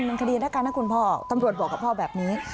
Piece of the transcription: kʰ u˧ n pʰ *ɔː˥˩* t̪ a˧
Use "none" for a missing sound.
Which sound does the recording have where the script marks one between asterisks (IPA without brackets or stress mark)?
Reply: ɔː˥˩